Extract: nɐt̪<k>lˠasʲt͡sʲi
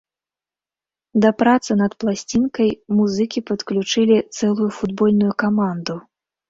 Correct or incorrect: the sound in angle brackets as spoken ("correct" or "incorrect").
incorrect